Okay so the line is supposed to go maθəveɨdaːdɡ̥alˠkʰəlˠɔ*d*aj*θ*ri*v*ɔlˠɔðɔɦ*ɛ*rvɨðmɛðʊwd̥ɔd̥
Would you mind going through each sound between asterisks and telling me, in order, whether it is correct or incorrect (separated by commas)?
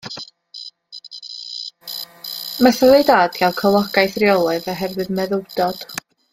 incorrect, correct, incorrect, correct